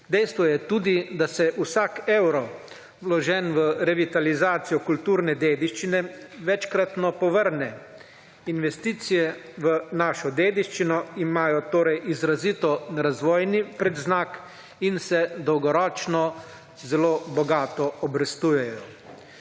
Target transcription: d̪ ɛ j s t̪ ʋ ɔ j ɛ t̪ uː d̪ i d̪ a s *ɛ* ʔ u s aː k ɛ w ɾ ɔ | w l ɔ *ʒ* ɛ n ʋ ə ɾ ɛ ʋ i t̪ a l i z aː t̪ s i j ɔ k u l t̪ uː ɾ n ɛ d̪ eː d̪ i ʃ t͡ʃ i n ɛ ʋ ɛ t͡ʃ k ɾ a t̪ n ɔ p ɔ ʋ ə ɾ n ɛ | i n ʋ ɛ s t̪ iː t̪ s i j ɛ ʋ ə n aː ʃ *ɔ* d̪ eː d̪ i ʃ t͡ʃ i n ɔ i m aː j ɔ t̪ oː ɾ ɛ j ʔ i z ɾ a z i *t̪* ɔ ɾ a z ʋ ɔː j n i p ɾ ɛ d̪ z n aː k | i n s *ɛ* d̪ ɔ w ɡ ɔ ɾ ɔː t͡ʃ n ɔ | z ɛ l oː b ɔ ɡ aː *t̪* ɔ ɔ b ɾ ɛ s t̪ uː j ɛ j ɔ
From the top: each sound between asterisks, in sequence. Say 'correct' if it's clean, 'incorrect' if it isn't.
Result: correct, correct, correct, correct, correct, correct

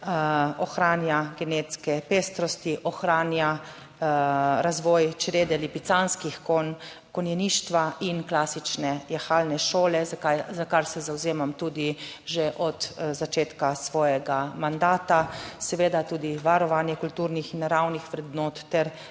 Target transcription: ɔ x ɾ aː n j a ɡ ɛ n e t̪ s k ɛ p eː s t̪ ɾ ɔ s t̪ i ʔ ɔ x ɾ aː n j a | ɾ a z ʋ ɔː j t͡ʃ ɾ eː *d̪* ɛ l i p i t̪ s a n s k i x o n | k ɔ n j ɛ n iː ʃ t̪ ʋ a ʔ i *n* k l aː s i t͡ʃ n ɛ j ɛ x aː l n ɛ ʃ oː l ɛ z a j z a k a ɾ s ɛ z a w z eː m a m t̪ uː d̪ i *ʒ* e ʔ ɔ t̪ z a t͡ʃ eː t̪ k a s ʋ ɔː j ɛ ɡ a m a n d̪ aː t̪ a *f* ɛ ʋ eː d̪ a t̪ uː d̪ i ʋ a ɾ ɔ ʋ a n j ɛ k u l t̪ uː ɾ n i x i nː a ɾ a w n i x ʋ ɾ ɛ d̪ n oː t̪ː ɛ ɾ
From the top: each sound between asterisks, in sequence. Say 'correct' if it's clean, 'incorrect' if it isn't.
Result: correct, correct, correct, incorrect: s

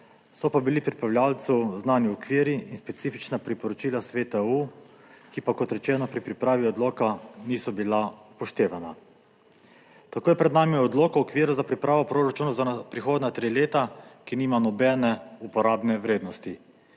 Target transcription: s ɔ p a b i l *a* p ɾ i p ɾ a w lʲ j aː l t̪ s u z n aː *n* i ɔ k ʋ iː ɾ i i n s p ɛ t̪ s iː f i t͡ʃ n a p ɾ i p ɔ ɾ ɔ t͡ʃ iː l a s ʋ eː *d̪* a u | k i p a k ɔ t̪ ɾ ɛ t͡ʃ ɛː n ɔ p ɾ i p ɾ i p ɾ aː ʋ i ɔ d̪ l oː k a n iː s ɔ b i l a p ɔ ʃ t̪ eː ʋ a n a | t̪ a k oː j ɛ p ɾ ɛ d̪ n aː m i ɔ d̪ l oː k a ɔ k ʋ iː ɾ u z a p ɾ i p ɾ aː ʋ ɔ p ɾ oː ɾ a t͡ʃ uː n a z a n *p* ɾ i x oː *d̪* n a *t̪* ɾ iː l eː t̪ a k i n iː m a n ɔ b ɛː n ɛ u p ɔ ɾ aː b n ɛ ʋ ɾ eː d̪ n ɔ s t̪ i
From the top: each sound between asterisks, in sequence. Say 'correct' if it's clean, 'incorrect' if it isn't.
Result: incorrect: i, correct, incorrect: t̪, correct, correct, correct

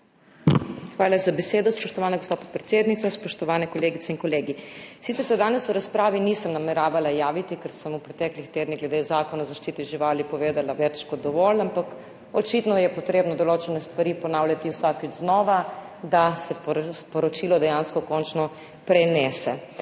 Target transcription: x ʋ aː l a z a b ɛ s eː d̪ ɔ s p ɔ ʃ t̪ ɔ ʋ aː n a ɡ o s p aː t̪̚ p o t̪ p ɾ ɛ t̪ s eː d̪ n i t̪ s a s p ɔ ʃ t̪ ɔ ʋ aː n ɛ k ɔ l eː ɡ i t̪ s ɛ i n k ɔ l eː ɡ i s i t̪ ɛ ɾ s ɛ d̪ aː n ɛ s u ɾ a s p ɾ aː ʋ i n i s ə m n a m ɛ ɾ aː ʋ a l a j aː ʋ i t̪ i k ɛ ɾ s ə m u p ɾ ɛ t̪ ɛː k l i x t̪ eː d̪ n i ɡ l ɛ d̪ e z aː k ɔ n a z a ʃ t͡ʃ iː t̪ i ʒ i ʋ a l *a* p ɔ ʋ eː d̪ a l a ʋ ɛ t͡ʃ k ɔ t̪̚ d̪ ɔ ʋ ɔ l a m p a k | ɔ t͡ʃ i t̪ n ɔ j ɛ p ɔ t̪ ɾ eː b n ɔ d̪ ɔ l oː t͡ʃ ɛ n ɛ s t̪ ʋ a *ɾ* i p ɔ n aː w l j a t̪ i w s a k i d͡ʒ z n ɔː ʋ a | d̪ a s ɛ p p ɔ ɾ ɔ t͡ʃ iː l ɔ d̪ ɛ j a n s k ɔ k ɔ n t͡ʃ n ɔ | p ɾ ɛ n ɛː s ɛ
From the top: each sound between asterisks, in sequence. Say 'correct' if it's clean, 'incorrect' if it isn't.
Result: incorrect: i, correct

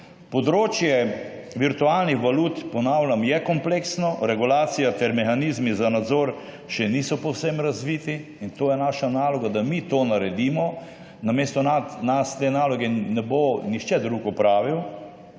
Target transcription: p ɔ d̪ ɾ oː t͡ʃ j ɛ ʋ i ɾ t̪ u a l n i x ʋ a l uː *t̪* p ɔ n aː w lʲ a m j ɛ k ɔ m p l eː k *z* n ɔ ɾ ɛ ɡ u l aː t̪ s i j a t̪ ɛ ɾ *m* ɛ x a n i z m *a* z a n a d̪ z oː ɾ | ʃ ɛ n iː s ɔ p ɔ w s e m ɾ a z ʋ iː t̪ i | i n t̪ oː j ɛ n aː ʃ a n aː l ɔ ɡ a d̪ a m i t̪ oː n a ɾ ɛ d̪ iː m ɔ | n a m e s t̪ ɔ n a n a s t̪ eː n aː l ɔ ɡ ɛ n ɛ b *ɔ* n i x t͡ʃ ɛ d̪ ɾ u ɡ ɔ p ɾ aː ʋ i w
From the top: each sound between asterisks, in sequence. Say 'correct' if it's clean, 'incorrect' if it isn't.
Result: correct, incorrect: s, correct, incorrect: i, incorrect: o

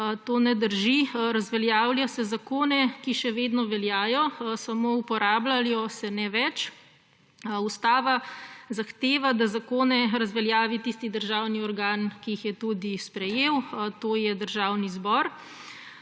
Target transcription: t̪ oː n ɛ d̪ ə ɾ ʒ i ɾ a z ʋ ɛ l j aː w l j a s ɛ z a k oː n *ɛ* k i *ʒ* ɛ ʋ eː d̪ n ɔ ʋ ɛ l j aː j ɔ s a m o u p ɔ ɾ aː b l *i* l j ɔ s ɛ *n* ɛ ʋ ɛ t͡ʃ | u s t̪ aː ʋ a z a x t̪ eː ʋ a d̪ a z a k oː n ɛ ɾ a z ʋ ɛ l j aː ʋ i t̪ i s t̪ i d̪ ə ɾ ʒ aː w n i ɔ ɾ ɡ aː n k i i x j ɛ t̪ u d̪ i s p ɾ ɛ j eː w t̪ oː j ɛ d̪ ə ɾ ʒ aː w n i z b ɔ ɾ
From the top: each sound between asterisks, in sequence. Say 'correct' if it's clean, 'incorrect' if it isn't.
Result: correct, incorrect: ʃ, incorrect: a, correct

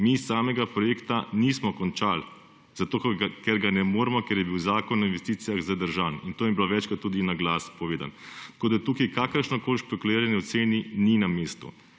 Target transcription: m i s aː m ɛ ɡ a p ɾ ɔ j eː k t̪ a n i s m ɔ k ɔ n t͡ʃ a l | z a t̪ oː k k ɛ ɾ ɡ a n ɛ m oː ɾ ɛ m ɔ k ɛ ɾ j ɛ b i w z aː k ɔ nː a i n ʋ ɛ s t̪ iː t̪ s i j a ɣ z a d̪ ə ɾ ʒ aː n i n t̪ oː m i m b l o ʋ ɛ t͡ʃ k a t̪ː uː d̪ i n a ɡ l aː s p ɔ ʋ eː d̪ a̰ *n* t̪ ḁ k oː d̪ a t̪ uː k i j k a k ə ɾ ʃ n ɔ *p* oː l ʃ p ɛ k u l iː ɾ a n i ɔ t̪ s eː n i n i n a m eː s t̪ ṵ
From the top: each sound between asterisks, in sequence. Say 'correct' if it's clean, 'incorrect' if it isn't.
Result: correct, incorrect: k

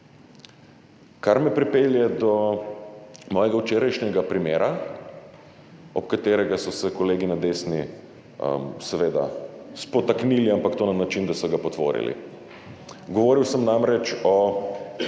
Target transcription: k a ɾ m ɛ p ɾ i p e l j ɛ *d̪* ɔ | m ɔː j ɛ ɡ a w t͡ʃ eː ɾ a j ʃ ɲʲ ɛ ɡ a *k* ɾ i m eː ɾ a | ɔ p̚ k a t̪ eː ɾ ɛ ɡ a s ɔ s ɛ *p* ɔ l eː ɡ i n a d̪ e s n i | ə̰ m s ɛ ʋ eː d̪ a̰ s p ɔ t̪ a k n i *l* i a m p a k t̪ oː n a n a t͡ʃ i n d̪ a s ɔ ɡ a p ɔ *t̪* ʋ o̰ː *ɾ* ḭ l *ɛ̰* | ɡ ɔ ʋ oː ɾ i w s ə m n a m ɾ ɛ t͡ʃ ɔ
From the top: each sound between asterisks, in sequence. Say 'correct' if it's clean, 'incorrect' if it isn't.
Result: correct, incorrect: p, incorrect: k, correct, correct, correct, incorrect: ḭ

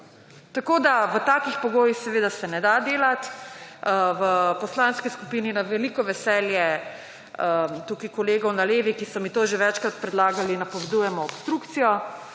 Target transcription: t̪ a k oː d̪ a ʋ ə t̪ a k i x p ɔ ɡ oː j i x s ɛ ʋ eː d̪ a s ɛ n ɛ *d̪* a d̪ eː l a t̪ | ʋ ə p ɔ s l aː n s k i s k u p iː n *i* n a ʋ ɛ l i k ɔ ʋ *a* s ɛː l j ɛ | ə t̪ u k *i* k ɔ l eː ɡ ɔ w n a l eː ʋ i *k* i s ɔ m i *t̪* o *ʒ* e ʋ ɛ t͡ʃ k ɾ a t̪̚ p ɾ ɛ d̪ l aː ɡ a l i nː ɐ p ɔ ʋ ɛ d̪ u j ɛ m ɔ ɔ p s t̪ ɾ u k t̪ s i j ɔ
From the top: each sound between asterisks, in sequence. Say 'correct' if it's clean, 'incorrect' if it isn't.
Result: correct, correct, incorrect: ɛ, correct, correct, correct, correct

